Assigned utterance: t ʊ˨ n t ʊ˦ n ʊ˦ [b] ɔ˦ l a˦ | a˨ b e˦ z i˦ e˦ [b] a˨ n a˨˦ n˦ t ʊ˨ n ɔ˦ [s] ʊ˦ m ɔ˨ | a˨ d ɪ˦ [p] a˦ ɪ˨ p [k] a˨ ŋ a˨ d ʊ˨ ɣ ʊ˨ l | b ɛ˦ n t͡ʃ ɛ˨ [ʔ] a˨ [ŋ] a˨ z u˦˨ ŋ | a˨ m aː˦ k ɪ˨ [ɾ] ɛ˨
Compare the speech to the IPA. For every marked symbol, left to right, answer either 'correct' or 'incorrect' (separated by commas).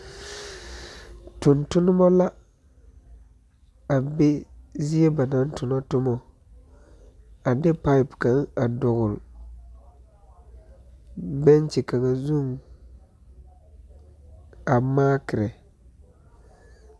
incorrect, correct, incorrect, correct, correct, incorrect, correct, correct